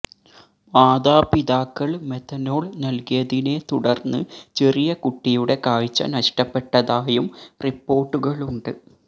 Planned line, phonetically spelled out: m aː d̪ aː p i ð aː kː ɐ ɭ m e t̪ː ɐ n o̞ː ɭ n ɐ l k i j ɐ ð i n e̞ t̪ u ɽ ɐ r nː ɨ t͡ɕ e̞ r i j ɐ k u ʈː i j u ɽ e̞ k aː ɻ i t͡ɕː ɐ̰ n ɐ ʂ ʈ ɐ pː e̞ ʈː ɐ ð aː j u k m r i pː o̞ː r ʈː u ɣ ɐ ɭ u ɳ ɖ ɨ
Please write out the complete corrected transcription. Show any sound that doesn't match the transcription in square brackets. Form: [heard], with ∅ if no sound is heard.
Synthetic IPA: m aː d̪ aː p i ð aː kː ɐ ɭ m e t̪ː ɐ n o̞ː ɭ n ɐ l k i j ɐ ð i n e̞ t̪ u ɽ ɐ r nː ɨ t͡ɕ e̞ r i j ɐ k u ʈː i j u ɽ e̞ k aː ɻ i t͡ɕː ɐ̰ n ɐ ʂ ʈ ɐ pː e̞ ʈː ɐ ð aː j u [∅] m r i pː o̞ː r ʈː u ɣ ɐ ɭ u ɳ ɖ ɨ